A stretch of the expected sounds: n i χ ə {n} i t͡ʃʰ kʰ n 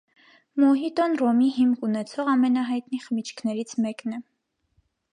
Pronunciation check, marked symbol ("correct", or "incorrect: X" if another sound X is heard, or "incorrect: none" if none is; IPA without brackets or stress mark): incorrect: m